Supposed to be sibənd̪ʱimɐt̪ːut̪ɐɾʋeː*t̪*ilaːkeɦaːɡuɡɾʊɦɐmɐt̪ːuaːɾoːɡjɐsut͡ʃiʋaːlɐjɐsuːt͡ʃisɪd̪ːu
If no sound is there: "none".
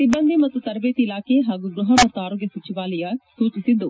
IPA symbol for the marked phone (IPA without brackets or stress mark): t̪